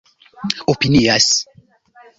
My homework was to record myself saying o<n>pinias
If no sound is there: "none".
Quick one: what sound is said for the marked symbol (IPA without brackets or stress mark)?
none